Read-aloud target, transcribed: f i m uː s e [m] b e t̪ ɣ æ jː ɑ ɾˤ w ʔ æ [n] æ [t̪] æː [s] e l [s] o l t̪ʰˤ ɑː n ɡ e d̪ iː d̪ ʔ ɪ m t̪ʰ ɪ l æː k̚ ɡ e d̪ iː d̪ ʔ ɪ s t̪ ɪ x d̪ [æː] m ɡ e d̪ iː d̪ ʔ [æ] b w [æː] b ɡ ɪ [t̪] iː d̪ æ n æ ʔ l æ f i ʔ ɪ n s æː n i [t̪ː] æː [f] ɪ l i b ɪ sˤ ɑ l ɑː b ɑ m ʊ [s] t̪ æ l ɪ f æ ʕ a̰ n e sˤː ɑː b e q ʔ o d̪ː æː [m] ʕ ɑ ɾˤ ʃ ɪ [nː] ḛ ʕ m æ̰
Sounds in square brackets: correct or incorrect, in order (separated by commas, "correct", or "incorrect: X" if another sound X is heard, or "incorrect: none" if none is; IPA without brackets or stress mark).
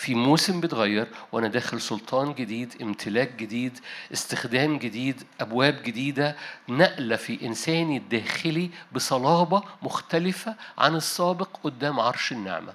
correct, correct, incorrect: d̪, incorrect: x, correct, correct, correct, correct, incorrect: d̪, incorrect: d̪ː, incorrect: x, incorrect: x, correct, correct